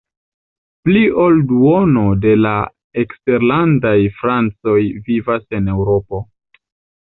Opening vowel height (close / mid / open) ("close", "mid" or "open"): close